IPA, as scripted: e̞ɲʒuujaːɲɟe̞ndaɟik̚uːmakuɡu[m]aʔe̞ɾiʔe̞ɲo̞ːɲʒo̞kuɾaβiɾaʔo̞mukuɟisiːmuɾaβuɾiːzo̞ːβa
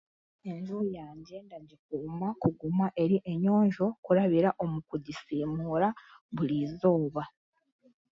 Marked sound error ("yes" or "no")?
no